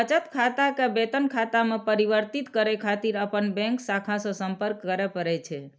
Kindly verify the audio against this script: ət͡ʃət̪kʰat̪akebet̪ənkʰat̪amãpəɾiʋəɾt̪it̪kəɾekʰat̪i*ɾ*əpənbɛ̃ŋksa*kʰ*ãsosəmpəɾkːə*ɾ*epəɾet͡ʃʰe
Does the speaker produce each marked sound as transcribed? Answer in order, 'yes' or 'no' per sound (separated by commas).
yes, yes, yes